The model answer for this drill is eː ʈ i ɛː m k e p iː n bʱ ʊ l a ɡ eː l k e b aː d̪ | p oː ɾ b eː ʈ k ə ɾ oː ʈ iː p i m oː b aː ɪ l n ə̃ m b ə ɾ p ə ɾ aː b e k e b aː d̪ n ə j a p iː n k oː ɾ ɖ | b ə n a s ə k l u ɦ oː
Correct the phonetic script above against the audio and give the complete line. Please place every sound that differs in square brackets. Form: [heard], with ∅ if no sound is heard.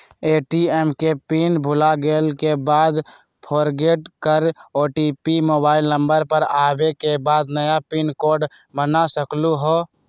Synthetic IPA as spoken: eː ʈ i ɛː m k e p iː n bʱ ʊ l a ɡ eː l k e b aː d̪ | [pʰ] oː ɾ [ɡ] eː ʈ k ə ɾ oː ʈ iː p i m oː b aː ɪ l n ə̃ m b ə ɾ p ə ɾ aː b e k e b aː d̪ n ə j a p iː n k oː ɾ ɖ | b ə n a s ə k l u ɦ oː